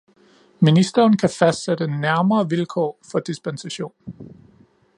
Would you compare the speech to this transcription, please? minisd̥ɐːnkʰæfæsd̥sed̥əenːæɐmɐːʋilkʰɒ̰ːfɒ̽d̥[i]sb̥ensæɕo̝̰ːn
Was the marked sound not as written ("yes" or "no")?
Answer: no